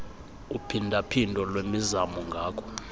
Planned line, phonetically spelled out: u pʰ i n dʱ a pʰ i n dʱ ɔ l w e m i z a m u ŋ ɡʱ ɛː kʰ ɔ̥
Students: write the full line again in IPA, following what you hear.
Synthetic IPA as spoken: u pʰ i n dʱ a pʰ i n dʱ ɔ l w e m i z a m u ŋ ɡʱ aː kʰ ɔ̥

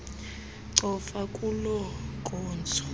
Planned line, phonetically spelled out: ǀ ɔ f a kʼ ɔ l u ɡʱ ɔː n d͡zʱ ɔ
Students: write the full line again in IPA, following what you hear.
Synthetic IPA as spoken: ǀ ɔ f a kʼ u l ɔ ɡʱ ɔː n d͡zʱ ɔ

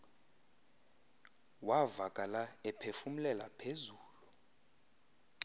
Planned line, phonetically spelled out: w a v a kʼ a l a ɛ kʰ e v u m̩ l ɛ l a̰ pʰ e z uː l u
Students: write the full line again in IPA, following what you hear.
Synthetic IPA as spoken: w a v a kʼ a l a ɛ pʰ e f u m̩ l ɛ l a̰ pʰ e z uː l u

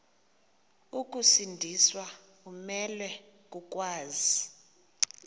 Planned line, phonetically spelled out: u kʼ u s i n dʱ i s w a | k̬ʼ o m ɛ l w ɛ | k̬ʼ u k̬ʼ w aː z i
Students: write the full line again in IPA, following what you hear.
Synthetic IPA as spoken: u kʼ u s i n dʱ i s w a | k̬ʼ u m ɛ l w ɛ | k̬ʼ u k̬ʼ w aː z i

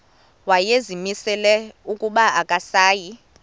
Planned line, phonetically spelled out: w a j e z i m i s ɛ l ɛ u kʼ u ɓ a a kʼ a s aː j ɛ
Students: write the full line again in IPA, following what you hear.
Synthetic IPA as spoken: w a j e z i m i s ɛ l ɛ u kʼ u ɓ a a kʼ a s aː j i

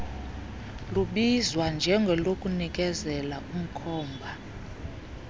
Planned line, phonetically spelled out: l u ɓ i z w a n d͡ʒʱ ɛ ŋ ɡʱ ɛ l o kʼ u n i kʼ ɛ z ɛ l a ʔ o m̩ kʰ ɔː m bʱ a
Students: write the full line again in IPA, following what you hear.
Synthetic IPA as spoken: l u ɓ i z w a n d͡ʒʱ ɛ ŋ ɡʱ ɛ l o kʼ u n i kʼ ɛ z ɛ l a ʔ u m̩ kʰ ɔː m bʱ a

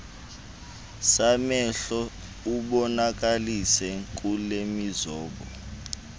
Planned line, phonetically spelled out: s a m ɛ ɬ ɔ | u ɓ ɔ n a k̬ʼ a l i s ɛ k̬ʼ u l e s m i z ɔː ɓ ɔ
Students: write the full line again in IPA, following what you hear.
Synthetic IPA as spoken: s a m ɛ ɬ ɔ | u ɓ ɔ n a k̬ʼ a l i s ɛ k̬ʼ u l e m i z ɔː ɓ ɔ

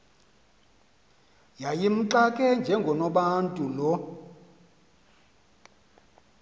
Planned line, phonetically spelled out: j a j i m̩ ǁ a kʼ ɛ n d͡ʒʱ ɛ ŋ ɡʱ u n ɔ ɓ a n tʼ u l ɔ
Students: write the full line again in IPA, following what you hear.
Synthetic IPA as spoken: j a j i m̩ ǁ a kʼ ɛ n d͡ʒʱ ɛ ŋ ɡʱ ɔ n ɔ ɓ a n tʼ u l ɔ

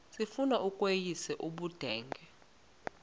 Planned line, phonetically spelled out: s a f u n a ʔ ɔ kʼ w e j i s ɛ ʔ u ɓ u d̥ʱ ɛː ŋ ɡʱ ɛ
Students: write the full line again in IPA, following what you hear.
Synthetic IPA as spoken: s i f u n a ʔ u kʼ w e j i s ɛ ʔ u ɓ u d̥ʱ ɛː ŋ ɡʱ ɛ

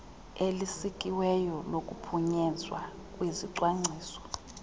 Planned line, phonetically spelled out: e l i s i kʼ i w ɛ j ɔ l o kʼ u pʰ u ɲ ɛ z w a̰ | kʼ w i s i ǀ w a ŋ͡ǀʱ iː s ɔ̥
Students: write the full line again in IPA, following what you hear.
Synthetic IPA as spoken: e l i s i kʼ i w ɛ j ɔ l o kʼ u pʰ u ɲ ɛ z w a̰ | kʼ w i z i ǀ w a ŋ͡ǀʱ iː s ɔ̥

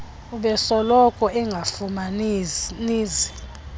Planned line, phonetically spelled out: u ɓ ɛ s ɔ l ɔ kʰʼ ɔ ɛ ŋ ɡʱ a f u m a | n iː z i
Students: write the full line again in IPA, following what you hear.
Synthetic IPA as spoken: u ɓ ɛ s ɔ l ɔ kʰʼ ɔ ɛ ŋ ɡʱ a f u m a | n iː z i

